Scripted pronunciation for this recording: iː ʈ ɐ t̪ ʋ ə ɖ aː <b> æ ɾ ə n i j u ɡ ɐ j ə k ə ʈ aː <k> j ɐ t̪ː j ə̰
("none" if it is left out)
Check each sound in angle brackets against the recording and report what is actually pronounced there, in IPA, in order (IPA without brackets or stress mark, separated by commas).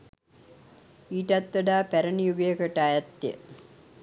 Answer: p, none